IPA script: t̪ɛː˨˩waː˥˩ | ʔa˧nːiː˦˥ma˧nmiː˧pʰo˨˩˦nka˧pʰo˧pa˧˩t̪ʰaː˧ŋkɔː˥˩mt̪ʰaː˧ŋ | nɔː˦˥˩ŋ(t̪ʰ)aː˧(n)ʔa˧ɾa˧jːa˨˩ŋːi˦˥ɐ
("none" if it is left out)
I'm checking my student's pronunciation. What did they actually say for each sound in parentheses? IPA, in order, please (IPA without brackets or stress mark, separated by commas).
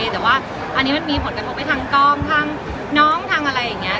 t̪ʰ, ŋ